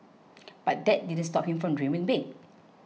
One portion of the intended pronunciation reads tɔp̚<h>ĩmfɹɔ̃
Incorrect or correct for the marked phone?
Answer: correct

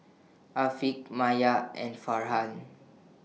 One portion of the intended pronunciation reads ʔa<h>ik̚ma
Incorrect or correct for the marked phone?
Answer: incorrect: f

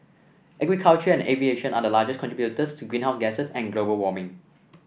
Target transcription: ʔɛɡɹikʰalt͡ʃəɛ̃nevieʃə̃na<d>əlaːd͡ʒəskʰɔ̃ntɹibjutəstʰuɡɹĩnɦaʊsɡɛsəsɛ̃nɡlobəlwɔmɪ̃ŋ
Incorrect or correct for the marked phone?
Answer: correct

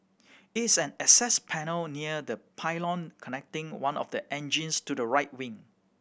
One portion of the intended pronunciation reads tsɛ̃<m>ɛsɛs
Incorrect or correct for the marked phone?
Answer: incorrect: n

